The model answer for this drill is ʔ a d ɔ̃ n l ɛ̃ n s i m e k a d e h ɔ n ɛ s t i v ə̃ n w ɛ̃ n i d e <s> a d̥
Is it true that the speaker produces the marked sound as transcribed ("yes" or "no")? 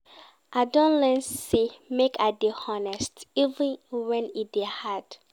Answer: no